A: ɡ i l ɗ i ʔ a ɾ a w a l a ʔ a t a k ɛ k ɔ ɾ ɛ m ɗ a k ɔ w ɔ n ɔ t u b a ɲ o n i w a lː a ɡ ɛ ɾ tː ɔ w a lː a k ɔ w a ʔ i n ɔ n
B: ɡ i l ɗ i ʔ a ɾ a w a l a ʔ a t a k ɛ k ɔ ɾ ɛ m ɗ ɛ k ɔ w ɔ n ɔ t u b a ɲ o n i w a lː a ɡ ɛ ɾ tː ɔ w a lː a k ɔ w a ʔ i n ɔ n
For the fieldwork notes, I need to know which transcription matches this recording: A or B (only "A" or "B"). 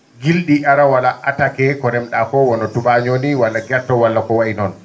A